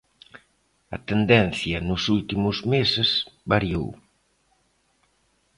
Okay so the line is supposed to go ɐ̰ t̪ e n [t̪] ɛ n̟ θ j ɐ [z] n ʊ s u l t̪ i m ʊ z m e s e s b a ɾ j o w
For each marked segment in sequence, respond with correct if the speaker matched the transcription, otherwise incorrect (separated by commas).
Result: incorrect, incorrect